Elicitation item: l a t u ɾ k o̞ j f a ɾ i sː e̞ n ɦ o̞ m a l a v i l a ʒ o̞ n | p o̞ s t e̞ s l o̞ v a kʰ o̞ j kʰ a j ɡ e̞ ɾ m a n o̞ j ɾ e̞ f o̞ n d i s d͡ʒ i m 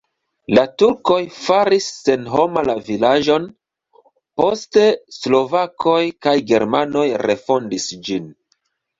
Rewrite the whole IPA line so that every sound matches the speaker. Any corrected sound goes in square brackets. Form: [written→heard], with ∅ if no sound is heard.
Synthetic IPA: l a t u ɾ k o̞ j f a ɾ i sː e̞ n ɦ o̞ m a l a v i l a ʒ o̞ n | p o̞ s t e̞ s l o̞ v a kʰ o̞ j [kʰ→k] a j ɡ e̞ ɾ m a n o̞ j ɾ e̞ f o̞ n d i s d͡ʒ i [m→n]